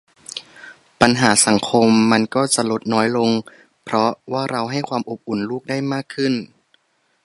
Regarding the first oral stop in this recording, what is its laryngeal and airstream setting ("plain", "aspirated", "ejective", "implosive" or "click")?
plain